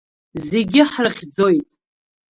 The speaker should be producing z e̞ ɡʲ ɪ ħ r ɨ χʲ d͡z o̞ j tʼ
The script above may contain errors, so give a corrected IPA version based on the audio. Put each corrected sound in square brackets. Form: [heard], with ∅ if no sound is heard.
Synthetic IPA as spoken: z e̞ ɡʲ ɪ ħ r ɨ χʲ d͡z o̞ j tʼ